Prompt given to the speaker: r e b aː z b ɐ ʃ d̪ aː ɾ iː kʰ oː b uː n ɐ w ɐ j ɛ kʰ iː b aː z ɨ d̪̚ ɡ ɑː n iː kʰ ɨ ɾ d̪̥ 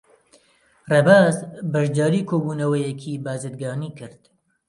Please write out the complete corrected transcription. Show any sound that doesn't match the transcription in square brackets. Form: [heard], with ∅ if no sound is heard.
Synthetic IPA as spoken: r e b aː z b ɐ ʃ d̪ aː ɾ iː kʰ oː b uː n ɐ w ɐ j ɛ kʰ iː b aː z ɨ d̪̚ ɡ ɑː n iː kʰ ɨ ɾ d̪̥